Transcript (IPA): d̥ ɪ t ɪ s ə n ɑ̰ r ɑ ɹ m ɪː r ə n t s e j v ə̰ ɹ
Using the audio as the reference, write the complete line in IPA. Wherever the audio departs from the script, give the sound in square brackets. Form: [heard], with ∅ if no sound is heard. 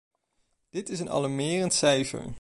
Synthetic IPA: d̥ ɪ t ɪ s ə n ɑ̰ [l] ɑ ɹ m ɪː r ə n t s [ɛ] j [f] ə̰ ɹ